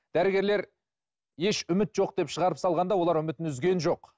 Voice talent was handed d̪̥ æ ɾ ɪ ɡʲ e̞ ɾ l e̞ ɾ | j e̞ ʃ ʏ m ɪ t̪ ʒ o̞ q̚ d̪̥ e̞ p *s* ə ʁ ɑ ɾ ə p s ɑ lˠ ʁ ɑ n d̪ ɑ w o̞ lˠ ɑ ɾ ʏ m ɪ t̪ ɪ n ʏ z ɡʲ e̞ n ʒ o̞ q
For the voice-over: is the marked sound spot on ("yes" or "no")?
no